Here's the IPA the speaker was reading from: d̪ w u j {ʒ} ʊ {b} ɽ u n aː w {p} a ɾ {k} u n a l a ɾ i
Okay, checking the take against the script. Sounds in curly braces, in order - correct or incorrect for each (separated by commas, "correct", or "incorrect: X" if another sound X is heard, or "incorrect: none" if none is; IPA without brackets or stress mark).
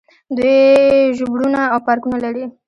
correct, correct, correct, correct